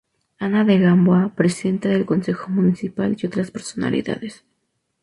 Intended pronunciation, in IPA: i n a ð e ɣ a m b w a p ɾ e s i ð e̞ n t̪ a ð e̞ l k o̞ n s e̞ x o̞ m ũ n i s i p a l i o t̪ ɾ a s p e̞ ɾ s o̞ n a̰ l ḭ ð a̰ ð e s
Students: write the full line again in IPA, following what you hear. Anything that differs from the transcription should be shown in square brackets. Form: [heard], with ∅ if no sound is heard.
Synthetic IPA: [a] n a ð e ɣ a m b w a p ɾ e s i ð e̞ n t̪ a ð e̞ l k o̞ n s e̞ x o̞ m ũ n i s i p a l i o t̪ ɾ a s p e̞ ɾ s o̞ n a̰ l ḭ ð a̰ ð e s